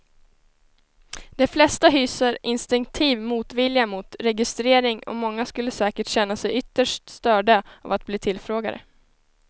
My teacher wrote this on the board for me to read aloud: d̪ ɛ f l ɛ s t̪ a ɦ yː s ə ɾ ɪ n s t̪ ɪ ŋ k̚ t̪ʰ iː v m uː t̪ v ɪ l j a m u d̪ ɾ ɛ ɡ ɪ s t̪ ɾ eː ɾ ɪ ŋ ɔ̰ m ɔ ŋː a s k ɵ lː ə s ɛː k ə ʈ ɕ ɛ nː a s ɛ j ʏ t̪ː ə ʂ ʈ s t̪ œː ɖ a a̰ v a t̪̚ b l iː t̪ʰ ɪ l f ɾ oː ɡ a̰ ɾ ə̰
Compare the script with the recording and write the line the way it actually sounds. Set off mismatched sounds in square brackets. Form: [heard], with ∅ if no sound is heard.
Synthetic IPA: d̪ ɛ f l ɛ s t̪ a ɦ yː s ə ɾ ɪ n s t̪ ɪ ŋ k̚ t̪ʰ iː v m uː t̪ v ɪ l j a m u [t̪] ɾ ɛ ɡ ɪ s t̪ ɾ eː ɾ ɪ ŋ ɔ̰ m ɔ ŋː a s k ɵ lː ə s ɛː k ə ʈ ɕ ɛ nː a s ɛ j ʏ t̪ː ə ʂ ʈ s t̪ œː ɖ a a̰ v a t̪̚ b l iː t̪ʰ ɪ l f ɾ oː ɡ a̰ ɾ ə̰